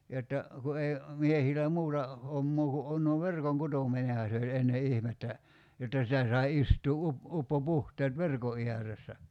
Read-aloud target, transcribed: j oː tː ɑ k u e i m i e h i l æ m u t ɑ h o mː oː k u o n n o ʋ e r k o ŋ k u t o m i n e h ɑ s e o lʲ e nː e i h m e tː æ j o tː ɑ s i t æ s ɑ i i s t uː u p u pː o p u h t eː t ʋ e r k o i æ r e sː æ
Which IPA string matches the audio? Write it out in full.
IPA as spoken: j o tː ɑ k u e i m i e h i l æ m uː t ɑ h o mː oː k u o n n o ʋ e r k o ŋ k u t o m i n e h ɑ s e o lʲ e nː e i h m e tː æ j o tː ɑ s i t æ s ɑ i i s t uː u p u pː o p u h t eː t ʋ e r k o i æ r e sː æ